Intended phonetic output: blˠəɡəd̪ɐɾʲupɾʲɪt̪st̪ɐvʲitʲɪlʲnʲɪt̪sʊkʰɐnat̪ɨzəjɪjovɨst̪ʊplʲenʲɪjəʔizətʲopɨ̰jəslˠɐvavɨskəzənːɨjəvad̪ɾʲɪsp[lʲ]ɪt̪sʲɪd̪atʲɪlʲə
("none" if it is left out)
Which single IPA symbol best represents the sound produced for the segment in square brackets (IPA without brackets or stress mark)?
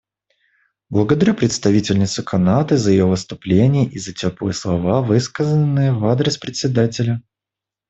ɾʲ